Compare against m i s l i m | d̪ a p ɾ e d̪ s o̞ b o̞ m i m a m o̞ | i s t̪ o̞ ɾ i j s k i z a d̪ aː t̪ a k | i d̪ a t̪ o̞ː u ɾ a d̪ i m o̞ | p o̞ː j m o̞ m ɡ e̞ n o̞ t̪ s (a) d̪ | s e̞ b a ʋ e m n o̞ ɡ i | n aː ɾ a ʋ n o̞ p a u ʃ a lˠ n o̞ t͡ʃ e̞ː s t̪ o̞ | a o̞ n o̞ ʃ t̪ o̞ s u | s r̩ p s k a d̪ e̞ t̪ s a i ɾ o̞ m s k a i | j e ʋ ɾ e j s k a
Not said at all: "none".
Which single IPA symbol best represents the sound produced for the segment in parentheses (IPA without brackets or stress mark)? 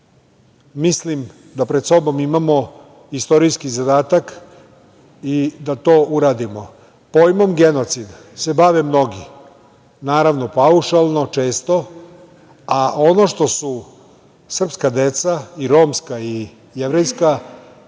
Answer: i